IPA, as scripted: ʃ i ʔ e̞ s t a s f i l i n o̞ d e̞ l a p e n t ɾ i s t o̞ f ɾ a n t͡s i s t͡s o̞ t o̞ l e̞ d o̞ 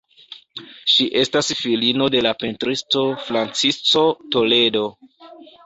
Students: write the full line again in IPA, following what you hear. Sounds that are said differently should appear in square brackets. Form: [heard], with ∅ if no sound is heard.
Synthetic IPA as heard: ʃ i ʔ e̞ s t a s f i l i n o̞ d e̞ l a p e n t ɾ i s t o̞ f ɾ a n t͡s i s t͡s o̞ t o̞ l e̞ d o̞